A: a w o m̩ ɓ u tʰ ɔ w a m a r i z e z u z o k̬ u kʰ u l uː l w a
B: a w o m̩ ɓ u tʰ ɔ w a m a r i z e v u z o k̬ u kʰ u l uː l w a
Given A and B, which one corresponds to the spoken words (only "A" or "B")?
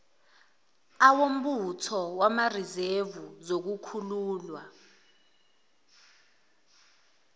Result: B